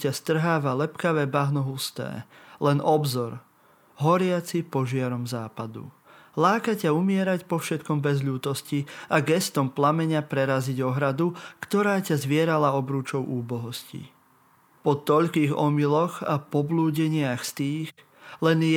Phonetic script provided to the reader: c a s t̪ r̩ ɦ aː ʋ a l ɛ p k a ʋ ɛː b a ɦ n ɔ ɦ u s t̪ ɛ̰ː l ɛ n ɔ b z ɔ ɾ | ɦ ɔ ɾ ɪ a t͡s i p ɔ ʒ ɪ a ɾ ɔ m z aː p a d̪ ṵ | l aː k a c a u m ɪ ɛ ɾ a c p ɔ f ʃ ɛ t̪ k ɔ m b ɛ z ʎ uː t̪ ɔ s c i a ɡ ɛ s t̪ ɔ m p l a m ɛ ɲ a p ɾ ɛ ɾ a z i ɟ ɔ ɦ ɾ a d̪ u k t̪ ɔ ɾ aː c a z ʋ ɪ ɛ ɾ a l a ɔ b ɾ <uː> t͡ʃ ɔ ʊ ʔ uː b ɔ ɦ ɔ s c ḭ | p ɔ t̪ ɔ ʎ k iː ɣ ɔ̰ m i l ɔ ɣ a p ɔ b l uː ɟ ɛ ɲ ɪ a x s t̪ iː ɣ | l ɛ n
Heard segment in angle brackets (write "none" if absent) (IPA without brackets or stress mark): uː